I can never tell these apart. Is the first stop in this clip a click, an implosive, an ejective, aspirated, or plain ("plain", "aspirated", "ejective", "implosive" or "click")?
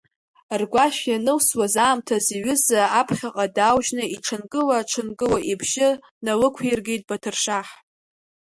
plain